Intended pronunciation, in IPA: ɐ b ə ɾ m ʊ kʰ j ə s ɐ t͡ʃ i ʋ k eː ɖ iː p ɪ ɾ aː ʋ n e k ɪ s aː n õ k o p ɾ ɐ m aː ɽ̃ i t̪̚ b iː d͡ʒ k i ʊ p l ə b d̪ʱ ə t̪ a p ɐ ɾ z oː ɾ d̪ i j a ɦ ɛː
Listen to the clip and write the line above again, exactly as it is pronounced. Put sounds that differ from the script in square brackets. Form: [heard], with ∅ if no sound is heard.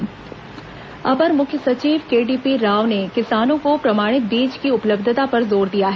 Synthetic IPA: ɐ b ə ɾ m ʊ kʰ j ə s ɐ t͡ʃ [iː] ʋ k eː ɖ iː p [i] ɾ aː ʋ n e k ɪ s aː n õ k o p ɾ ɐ m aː ɽ̃ [ɪ] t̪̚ b iː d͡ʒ k i ʊ p l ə b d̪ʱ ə t̪ a p ɐ ɾ z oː ɾ d̪ i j a ɦ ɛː